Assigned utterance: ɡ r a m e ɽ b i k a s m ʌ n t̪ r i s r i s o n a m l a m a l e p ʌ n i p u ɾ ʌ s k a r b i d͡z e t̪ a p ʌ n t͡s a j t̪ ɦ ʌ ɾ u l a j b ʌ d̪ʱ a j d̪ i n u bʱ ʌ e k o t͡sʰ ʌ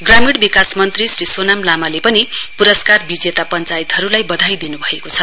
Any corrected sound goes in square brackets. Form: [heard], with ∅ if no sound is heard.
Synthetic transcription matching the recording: ɡ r a m [i] ɽ b i k a s m ʌ n t̪ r i s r i s o n a m l a m a l e p ʌ n i p u ɾ ʌ s k a r b i d͡z e t̪ a p ʌ n t͡s a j t̪ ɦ ʌ ɾ u l a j b ʌ d̪ʱ a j d̪ i n u bʱ ʌ e k o t͡sʰ ʌ